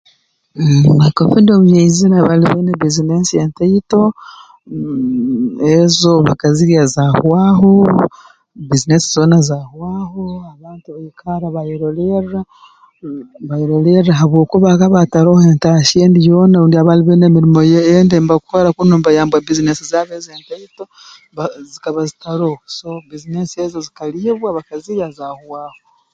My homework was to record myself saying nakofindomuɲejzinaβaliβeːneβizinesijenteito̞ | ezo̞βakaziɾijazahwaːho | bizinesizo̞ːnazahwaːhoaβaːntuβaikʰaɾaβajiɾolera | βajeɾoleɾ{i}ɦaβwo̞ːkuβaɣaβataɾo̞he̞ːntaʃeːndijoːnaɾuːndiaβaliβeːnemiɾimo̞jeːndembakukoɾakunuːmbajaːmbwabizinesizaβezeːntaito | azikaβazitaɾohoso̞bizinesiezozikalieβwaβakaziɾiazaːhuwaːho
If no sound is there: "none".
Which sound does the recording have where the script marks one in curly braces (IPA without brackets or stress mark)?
a